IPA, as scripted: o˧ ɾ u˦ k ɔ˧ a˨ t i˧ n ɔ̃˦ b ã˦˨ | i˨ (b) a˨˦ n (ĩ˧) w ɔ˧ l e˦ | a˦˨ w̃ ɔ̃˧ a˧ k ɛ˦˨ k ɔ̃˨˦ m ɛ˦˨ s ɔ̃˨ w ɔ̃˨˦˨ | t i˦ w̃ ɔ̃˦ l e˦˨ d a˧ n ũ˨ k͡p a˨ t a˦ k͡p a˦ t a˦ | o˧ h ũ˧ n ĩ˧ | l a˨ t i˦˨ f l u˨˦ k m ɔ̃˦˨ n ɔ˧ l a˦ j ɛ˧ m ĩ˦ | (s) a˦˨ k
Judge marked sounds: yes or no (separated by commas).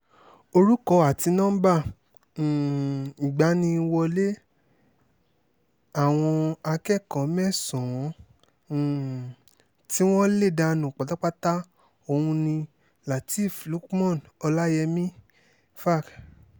no, yes, no